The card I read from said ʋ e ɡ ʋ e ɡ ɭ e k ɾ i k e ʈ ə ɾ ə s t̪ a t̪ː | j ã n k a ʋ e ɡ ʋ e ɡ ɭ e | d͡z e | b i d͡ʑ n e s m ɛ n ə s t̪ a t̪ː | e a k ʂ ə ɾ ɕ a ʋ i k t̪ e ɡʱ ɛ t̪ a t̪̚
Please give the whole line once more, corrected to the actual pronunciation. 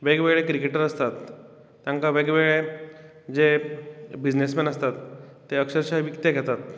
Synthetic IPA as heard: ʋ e ɡ ʋ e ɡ ɭ e k ɾ i k e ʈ ə ɾ ə s t̪ a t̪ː | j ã ŋ k a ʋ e ɡ ʋ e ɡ ɭ e | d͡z e | b i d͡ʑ n e s m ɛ n ə s t̪ a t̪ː | e ə k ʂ ə ɾ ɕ a ʋ i k t̪ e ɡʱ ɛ t̪ a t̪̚